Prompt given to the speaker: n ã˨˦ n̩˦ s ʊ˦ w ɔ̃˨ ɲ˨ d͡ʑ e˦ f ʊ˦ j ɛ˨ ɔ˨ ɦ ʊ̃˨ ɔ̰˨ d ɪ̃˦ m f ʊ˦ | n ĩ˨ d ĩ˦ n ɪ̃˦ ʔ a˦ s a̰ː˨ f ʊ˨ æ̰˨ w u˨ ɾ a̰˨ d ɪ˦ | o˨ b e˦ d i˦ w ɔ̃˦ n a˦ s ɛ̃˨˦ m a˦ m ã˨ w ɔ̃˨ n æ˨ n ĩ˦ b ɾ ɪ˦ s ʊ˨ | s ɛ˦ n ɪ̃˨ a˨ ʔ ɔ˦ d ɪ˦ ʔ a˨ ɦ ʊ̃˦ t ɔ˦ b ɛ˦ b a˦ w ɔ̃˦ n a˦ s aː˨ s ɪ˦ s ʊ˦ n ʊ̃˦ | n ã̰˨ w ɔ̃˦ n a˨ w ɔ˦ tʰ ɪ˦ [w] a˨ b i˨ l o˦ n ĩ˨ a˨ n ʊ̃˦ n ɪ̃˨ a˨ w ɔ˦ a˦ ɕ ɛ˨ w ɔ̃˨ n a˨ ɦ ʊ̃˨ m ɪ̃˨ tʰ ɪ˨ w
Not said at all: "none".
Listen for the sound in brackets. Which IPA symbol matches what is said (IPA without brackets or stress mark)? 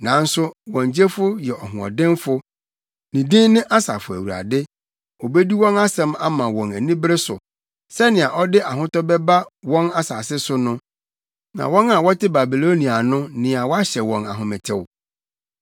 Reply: b